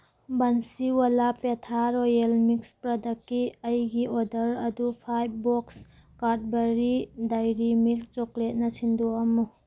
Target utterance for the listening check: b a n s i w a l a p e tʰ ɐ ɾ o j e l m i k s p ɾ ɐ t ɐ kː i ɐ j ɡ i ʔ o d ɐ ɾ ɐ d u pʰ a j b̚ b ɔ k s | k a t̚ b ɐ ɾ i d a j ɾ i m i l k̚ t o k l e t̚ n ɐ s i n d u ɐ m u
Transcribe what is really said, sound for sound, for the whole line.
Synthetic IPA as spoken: b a n s i w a l a p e tʰ a ɾ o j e l m i k s p ɾ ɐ d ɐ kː i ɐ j ɡ i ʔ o d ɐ ɾ ɐ d u pʰ a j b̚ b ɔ k s | k a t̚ b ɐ ɾ i d a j ɾ i m i l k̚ t͡ʃ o k l e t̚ n ɐ s i n d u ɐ m u